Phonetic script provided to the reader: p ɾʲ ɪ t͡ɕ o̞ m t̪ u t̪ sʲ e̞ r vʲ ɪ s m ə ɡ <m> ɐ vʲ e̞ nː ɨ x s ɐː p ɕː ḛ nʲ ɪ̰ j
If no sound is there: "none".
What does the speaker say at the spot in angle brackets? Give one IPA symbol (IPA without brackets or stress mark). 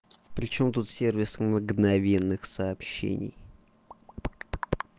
n